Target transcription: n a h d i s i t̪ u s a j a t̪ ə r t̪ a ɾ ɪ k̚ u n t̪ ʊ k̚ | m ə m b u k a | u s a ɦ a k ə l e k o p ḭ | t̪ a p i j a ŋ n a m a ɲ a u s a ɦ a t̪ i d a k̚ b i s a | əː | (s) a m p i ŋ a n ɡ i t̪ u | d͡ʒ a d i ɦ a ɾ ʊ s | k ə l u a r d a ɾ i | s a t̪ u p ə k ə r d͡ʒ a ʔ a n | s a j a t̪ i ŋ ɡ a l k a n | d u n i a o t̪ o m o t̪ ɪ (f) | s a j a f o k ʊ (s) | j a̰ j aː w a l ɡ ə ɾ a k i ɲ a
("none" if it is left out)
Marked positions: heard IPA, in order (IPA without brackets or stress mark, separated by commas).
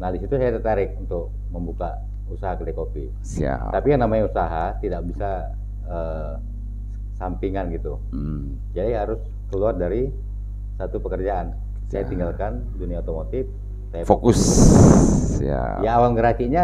s, f, s